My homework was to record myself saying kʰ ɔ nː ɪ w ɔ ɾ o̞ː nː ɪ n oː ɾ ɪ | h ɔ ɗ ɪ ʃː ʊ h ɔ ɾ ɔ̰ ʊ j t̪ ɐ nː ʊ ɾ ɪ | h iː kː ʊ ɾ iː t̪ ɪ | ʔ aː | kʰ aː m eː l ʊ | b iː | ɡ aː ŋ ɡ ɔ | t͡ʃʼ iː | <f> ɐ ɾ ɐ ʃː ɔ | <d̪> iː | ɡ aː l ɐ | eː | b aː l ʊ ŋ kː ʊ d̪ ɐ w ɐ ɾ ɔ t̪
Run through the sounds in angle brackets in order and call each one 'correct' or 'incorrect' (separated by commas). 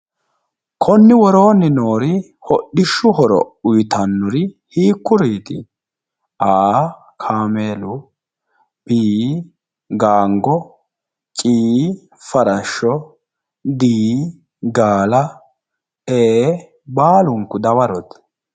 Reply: correct, correct